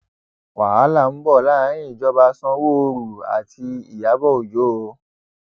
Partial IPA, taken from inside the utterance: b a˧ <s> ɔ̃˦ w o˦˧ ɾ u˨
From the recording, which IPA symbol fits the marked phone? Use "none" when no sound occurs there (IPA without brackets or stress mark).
s